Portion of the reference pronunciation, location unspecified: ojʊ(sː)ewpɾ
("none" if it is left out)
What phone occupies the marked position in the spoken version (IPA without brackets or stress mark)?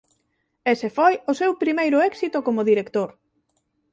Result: s